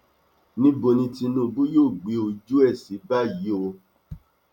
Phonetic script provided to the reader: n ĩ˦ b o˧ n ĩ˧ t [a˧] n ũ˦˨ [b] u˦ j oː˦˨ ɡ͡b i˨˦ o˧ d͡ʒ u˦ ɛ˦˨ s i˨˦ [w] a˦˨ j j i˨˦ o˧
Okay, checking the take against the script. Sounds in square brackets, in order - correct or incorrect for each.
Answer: incorrect, correct, incorrect

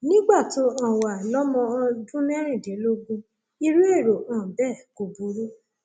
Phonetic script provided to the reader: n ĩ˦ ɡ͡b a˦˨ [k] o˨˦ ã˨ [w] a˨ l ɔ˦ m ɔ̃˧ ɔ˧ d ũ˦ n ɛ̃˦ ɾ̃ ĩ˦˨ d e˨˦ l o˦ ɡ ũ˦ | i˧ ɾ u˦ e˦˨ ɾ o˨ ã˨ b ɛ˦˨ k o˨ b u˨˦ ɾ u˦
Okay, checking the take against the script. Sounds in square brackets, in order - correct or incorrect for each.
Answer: incorrect, correct

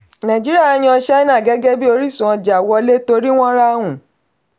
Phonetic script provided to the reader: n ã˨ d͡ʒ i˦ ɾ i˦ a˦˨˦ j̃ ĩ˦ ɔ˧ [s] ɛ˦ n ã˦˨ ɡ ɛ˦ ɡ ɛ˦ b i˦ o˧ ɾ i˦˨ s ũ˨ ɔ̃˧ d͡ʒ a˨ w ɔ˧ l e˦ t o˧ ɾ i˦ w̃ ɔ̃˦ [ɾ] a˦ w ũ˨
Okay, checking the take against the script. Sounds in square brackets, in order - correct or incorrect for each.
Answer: incorrect, correct

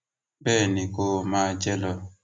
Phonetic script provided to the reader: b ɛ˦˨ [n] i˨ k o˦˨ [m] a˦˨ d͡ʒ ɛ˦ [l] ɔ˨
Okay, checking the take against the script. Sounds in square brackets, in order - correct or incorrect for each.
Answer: correct, correct, correct

